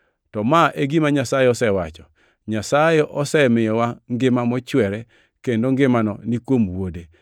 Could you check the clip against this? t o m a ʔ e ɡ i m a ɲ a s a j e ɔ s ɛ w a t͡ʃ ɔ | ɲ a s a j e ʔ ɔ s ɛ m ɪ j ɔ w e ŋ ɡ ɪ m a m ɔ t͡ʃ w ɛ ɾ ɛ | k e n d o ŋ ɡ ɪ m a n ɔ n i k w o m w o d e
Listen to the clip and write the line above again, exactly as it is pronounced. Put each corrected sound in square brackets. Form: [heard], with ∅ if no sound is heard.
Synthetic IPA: t [ɔ] m a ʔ e ɡ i m a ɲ a s a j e ɔ s ɛ w a t͡ʃ ɔ | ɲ a s a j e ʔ ɔ s ɛ m ɪ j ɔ w [a] ŋ ɡ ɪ m a m ɔ t͡ʃ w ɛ ɾ ɛ | k e n d o ŋ ɡ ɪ m a n ɔ n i k w o m w o d e